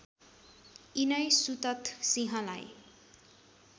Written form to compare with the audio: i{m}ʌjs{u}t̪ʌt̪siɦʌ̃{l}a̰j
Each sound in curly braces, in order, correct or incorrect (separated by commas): incorrect, correct, correct